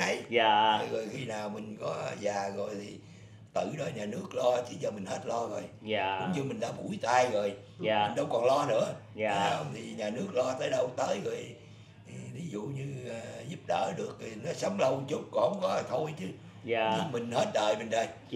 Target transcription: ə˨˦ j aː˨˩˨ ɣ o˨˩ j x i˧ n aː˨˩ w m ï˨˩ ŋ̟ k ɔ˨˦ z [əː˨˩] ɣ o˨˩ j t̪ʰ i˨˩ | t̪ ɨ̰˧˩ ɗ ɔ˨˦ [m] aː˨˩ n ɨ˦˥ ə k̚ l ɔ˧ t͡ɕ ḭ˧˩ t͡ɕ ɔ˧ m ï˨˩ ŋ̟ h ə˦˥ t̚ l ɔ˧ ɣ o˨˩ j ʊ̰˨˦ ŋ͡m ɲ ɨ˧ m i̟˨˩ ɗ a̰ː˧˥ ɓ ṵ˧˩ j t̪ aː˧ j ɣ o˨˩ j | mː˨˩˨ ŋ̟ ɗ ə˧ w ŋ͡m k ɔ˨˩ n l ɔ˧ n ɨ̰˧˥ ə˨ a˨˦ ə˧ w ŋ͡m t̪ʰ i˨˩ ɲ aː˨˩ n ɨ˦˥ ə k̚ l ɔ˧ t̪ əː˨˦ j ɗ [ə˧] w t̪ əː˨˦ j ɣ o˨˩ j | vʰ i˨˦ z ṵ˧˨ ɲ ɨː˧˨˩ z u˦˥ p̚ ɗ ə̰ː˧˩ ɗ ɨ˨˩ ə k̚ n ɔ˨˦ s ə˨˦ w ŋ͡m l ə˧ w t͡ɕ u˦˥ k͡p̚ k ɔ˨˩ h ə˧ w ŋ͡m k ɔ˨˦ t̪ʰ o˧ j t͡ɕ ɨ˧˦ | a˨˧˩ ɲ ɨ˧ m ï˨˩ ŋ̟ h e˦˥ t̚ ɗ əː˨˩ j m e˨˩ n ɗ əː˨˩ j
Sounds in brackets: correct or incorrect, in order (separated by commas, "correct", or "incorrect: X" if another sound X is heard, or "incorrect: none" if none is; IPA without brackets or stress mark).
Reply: incorrect: aː˨˩, incorrect: ɲ, correct